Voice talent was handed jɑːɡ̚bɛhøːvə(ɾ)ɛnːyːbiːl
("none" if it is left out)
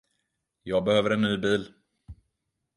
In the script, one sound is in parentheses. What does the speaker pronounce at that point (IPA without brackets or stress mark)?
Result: ɾ